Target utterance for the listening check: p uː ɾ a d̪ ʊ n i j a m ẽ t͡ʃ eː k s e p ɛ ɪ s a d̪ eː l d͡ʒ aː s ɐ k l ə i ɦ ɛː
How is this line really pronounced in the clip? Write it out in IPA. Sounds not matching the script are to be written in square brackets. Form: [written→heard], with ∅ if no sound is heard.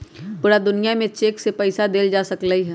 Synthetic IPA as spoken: p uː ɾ a d̪ ʊ n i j a m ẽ t͡ʃ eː k s e p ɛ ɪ s a d̪ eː l d͡ʒ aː s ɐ k l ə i ɦ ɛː